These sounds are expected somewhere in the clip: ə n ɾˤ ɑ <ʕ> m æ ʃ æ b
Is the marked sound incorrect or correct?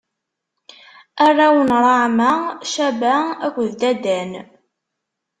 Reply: correct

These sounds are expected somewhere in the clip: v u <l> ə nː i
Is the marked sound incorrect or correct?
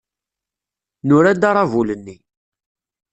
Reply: correct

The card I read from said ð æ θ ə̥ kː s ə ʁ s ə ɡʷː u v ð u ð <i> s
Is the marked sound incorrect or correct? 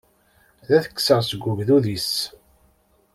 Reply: correct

